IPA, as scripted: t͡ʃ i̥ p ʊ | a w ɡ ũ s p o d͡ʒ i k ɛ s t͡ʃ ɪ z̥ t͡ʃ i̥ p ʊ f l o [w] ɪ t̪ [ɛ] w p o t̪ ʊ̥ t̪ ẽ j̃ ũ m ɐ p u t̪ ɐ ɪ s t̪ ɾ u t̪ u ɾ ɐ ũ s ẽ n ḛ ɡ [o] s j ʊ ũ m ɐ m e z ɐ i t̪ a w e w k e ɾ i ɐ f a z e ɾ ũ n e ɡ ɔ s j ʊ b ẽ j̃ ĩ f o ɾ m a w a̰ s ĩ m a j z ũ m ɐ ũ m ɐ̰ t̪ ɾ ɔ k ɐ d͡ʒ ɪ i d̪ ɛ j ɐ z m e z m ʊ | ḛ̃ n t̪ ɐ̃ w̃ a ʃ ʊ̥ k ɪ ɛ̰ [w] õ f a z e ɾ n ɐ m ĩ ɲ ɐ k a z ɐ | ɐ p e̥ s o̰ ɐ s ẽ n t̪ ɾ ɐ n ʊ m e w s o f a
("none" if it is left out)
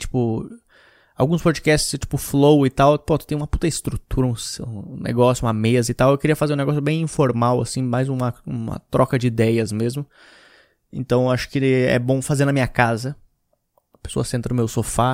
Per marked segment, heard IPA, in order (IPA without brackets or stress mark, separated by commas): w, a, ɔ, b